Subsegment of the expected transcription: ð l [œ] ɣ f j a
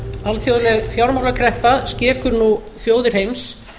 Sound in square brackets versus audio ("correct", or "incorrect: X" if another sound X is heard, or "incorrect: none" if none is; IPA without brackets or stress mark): incorrect: ɛ